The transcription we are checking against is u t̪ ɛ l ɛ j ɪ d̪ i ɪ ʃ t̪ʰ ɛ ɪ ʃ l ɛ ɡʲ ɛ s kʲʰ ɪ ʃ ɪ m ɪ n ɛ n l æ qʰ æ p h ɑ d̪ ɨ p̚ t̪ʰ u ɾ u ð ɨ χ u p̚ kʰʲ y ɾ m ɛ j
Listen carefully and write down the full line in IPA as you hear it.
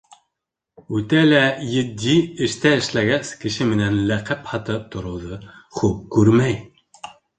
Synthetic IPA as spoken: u t̪ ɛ l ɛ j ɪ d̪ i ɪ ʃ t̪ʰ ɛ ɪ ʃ l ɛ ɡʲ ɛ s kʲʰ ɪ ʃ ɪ m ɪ n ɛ n l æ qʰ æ p h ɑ t̪ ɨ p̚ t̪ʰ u ɾ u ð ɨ χ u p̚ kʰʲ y ɾ m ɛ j